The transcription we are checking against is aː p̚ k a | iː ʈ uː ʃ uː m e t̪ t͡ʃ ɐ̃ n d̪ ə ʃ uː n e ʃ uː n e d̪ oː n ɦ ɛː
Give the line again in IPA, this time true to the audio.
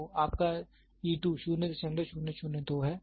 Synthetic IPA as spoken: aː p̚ k a | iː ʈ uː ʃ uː n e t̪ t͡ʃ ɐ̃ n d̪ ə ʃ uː n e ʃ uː n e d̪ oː ɦ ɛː

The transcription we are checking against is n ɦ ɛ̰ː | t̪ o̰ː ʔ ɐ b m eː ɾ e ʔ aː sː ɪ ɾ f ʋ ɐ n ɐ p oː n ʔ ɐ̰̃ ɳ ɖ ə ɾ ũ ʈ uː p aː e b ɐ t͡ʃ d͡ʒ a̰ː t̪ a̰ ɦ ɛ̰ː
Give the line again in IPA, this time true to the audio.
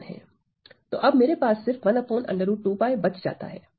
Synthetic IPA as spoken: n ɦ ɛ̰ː | t̪ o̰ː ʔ ɐ b m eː ɾ e p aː sː ɪ ɾ f ʋ ɐ n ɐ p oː n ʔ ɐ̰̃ ɳ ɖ ə ɾ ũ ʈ uː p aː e b ɐ t͡ʃ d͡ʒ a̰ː t̪ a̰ ɦ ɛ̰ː

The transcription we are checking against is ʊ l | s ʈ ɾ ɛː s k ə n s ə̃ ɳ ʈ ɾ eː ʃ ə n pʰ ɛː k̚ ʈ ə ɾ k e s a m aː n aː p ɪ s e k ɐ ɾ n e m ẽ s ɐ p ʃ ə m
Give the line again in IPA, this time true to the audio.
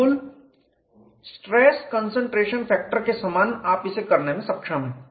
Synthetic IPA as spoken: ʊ l | s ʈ ɾ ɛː s k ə n s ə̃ ɳ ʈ ɾ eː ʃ ə n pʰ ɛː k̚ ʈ ə ɾ k e s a m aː n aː p ɪ s e k ɐ ɾ n e m ẽ s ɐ p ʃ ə m

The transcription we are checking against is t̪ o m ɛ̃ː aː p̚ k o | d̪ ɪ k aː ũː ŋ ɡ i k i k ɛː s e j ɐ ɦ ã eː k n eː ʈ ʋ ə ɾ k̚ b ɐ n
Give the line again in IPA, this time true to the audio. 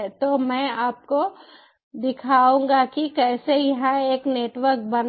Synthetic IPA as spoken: t̪ o m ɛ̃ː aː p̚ k o | d̪ ɪ kʰ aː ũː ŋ ɡ a k i k ɛː s e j ɐ ɦ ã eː k n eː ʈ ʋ ə ɾ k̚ b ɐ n

